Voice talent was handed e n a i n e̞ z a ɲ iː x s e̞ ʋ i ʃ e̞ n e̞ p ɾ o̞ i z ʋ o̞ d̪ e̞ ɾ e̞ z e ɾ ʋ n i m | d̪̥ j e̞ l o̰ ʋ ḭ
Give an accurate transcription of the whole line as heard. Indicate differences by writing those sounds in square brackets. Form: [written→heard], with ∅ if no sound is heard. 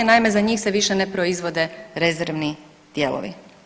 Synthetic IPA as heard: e n a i [n→m] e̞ z a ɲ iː x s e̞ ʋ i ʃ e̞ n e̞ p ɾ o̞ i z ʋ o̞ d̪ e̞ ɾ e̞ z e ɾ ʋ n i [m→∅] | d̪̥ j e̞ l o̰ ʋ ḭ